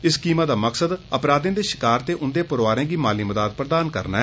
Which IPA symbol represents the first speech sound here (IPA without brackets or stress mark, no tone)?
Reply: ɪ